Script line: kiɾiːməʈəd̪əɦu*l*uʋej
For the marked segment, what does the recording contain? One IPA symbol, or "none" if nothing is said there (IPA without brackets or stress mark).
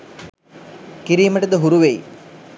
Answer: ɾ